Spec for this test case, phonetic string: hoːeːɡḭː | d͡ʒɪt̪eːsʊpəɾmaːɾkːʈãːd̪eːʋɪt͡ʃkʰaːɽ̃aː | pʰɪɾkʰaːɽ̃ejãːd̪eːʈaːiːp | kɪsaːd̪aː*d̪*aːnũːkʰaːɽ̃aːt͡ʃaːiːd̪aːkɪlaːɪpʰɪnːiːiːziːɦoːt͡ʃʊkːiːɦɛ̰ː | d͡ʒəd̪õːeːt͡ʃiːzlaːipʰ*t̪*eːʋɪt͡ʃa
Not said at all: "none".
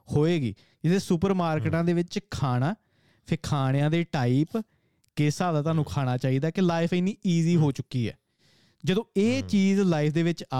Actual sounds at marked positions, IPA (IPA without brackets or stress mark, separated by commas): t̪, d̪